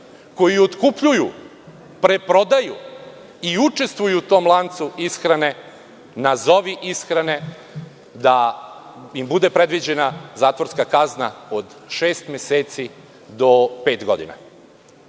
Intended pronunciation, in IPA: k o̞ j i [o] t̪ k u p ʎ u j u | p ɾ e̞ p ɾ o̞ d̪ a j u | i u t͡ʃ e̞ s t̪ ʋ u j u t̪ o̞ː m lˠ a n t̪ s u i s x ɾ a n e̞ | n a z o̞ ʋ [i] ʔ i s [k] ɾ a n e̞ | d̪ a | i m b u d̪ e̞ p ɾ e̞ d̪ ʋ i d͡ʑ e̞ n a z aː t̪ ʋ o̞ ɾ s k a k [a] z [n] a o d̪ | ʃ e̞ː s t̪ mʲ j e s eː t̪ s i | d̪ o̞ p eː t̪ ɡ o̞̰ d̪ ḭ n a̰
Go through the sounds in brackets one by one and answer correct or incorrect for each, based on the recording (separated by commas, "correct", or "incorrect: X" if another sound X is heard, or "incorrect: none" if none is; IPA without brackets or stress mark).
correct, correct, incorrect: x, correct, correct